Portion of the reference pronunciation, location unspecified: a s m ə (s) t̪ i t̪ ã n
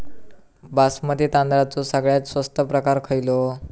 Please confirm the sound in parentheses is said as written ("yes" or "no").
no